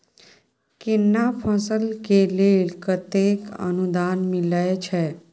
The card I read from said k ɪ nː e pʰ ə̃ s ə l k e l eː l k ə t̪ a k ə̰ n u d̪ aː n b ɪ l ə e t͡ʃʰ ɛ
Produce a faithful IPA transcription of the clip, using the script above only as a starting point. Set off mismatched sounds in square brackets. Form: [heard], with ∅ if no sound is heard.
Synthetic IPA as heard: k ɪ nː [a] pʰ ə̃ s ə l k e l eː l k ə t̪ [e] k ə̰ n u d̪ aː n [m] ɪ l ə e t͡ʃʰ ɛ